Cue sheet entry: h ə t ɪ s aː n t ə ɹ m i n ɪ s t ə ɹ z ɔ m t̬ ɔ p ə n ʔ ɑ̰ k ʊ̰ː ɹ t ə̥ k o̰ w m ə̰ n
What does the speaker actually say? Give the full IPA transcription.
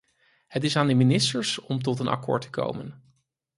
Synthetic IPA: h ə t ɪ s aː n d ə m i n ɪ s t ə ɹ s ɔ m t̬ ɔ t ə n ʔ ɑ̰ k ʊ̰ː ɹ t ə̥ k o̰ w m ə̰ n